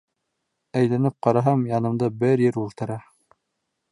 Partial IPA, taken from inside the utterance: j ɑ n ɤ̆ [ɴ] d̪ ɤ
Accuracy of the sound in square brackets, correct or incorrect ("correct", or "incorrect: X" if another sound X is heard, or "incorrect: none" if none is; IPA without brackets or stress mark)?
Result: incorrect: m